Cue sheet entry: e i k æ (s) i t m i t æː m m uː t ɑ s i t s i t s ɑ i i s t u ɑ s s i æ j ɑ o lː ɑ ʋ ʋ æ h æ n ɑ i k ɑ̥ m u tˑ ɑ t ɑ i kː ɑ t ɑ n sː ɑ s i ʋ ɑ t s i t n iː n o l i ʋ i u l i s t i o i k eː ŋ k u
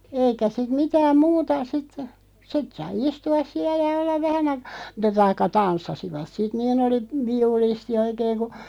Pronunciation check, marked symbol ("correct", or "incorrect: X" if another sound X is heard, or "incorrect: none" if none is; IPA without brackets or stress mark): correct